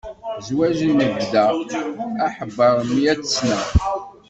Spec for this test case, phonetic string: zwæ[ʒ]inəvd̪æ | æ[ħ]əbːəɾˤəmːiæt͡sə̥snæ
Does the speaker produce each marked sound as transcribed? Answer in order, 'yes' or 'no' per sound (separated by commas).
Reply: yes, yes